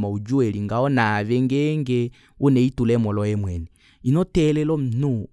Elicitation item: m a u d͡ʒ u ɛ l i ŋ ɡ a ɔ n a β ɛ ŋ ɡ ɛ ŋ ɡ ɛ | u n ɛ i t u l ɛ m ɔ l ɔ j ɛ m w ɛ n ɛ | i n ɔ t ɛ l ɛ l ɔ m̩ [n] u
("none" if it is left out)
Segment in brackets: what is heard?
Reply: n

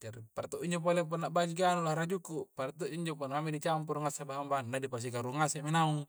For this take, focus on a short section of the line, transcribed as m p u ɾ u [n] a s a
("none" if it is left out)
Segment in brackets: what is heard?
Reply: ŋ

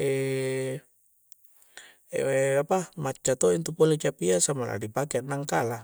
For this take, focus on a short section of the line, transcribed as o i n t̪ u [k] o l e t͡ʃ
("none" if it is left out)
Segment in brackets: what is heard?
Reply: p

